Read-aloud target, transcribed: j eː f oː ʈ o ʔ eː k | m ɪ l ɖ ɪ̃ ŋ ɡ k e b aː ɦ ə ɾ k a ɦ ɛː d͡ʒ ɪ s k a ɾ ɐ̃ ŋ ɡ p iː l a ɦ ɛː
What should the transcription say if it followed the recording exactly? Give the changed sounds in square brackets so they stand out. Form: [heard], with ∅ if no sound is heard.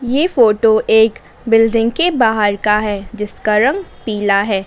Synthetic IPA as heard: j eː f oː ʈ o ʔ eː k | [b] ɪ l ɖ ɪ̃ ŋ ɡ k e b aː ɦ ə ɾ k a ɦ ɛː d͡ʒ ɪ s k a ɾ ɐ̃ ŋ ɡ p iː l a ɦ ɛː